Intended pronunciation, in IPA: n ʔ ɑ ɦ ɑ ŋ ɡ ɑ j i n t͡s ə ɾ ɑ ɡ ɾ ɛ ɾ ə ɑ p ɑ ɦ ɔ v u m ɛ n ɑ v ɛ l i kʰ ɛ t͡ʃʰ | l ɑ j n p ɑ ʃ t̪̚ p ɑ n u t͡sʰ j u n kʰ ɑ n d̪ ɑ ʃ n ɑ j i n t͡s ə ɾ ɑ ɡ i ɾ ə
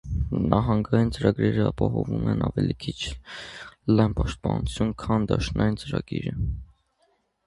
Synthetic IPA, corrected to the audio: n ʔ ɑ ɦ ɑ ŋ ɡ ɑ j i n t͡s ə ɾ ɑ ɡ ɾ ɛ ɾ ə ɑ p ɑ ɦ ɔ v u m ɛ n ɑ v ɛ l i kʰ i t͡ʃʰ | l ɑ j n p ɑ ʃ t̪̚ p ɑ n u t͡sʰ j u n kʰ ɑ n d̪ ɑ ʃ n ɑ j i n t͡s ə ɾ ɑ ɡ i ɾ ə